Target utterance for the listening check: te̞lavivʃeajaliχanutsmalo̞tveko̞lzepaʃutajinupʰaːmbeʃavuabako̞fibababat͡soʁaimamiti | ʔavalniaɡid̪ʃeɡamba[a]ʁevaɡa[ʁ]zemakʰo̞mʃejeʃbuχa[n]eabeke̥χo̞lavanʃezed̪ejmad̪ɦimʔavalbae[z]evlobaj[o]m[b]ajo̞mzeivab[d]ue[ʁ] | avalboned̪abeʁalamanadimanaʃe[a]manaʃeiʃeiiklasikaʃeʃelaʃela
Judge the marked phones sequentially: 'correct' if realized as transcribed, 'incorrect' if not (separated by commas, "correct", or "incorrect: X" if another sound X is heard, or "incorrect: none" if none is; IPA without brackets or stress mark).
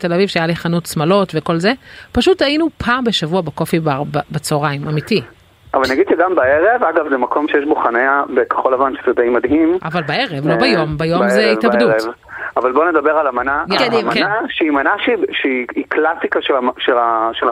incorrect: e, incorrect: v, correct, incorrect: ʁ, correct, correct, correct, incorrect: v, incorrect: i